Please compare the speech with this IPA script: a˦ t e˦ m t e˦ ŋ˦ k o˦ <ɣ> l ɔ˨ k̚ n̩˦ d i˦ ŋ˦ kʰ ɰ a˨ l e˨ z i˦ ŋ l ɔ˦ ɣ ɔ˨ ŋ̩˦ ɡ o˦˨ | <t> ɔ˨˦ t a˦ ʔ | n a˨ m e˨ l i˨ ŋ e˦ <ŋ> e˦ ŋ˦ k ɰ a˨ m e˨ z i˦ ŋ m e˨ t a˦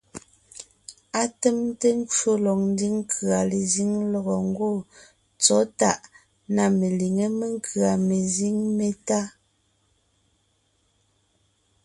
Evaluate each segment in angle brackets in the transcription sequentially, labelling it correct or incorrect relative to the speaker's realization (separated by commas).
incorrect, incorrect, incorrect